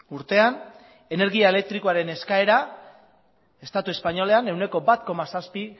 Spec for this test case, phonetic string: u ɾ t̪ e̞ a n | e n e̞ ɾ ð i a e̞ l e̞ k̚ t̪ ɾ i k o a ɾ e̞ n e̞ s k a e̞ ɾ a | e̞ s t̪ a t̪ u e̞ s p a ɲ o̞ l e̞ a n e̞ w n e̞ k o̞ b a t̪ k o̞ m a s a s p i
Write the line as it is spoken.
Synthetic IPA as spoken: u ɾ t̪ e̞ a n | e n e̞ ɾ ɣ i a e̞ l e̞ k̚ t̪ ɾ i k o a ɾ e̞ n e̞ s k a e̞ ɾ a | e̞ s t̪ a t̪ u e̞ s p a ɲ o̞ l e̞ a n e̞ w n e̞ k o̞ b a t̪ k o̞ m a s a s p i